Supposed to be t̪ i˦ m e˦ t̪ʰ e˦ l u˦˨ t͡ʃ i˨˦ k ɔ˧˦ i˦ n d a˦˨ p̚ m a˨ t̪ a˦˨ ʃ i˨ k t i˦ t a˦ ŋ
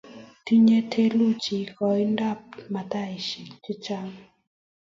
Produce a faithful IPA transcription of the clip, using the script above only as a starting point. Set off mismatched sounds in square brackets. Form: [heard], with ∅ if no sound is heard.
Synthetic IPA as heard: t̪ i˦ [ɲ] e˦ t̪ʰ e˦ l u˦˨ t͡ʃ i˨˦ k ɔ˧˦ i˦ n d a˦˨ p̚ m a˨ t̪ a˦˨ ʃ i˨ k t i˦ [t͡ʃ] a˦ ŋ